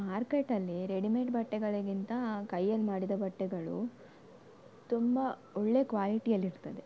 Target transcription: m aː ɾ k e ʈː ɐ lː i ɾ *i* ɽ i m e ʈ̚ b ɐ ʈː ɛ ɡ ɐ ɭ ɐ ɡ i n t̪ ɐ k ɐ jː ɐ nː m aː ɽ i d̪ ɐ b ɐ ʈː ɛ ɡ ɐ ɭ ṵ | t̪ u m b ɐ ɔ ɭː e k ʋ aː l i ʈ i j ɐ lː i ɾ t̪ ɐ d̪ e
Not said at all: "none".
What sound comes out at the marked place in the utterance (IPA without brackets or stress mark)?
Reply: e